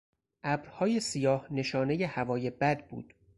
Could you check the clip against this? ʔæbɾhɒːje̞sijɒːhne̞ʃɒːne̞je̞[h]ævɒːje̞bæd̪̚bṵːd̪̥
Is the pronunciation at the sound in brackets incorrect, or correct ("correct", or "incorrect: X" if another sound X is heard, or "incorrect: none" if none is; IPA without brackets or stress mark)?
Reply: correct